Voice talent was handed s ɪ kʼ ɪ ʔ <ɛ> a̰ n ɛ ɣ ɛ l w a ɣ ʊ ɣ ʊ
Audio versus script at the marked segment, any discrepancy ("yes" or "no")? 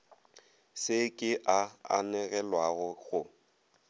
yes